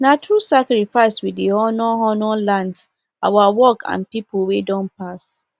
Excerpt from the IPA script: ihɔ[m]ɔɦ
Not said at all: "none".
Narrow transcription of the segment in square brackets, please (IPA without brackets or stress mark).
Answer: n